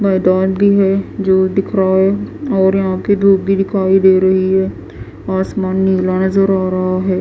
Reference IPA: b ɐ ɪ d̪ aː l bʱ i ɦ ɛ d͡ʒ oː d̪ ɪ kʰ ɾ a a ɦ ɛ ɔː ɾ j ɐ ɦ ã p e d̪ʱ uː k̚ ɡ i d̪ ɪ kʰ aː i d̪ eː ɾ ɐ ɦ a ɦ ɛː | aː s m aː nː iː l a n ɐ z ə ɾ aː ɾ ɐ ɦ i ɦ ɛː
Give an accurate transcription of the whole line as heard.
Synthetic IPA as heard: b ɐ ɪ d̪ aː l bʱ i ɦ ɛ d͡ʒ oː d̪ ɪ kʰ ɾ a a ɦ ɛ ɔː ɾ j ɐ ɦ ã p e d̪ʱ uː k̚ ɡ i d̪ ɪ kʰ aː i d̪ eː ɾ ɐ ɦ i ɦ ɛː | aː s m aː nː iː l a n ɐ z ə ɾ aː ɾ ɐ ɦ a ɦ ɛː